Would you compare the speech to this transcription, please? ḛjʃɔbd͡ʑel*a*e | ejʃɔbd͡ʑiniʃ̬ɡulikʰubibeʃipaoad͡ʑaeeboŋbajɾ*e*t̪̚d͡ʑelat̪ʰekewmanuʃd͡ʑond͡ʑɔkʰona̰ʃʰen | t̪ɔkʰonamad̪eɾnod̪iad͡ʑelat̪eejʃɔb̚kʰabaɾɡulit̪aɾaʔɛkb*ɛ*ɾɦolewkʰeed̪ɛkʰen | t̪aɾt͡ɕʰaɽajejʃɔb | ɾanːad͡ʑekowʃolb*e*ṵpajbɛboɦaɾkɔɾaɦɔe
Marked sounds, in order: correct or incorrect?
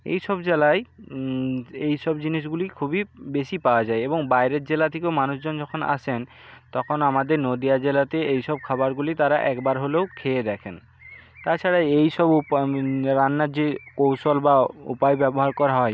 correct, correct, incorrect: a, incorrect: a

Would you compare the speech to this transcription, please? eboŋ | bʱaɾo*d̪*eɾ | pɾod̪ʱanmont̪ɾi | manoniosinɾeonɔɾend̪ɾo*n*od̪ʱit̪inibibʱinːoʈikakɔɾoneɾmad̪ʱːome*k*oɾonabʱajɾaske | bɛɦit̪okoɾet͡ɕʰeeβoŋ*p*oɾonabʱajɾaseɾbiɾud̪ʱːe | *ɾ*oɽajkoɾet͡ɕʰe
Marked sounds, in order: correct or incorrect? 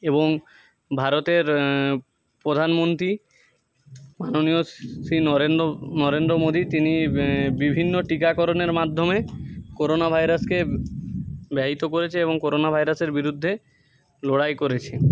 incorrect: t̪, incorrect: m, correct, incorrect: k, incorrect: l

